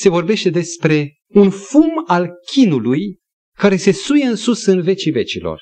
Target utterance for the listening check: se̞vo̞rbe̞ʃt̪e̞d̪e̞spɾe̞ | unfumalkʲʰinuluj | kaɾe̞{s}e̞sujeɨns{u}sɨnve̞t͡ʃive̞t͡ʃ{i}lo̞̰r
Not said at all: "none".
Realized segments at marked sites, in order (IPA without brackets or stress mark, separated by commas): s, u, i